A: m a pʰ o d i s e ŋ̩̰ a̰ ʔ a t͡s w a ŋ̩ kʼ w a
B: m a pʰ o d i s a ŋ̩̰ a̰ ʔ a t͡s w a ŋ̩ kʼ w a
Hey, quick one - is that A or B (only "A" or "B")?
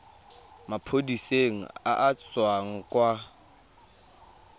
A